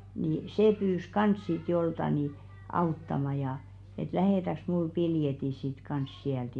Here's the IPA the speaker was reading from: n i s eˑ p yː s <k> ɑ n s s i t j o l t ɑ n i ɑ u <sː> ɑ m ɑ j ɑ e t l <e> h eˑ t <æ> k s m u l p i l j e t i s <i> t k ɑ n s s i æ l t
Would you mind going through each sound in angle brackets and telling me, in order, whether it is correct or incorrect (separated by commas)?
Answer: correct, incorrect, incorrect, correct, correct